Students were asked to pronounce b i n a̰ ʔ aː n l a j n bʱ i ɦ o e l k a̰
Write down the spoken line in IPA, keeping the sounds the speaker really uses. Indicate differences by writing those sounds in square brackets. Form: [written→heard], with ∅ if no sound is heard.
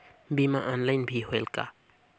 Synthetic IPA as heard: b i [n→m] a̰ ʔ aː n l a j n bʱ i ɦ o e l k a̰